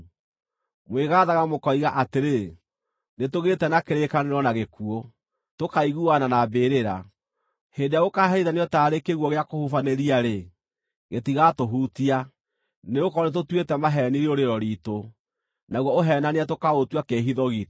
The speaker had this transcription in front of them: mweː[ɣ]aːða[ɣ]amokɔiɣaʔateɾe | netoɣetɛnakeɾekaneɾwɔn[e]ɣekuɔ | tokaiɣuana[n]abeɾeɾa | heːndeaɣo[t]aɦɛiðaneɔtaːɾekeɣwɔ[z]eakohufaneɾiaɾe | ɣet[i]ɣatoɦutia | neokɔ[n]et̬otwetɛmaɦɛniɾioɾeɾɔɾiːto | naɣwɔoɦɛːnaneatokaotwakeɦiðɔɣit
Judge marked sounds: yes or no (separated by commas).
yes, yes, no, yes, no, no, yes, yes